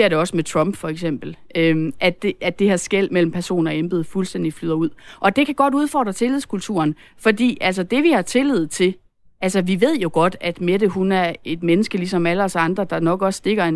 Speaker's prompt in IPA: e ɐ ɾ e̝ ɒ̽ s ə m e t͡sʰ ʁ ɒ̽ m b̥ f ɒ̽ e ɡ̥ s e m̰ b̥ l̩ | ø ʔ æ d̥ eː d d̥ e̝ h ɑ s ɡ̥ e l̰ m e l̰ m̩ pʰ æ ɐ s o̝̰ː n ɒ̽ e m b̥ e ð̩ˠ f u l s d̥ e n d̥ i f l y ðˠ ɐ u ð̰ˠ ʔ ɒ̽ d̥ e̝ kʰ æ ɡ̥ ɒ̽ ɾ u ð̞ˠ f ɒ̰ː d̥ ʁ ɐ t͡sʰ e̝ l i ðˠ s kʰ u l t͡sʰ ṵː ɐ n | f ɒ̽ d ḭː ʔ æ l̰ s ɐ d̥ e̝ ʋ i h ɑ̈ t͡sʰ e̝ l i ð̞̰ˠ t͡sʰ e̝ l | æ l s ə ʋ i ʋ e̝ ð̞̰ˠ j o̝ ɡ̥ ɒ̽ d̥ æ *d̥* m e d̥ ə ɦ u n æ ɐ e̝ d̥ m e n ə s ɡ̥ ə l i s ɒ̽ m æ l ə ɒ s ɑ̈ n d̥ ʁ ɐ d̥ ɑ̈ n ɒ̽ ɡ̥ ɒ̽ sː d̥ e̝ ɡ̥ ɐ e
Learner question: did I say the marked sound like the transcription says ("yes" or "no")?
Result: yes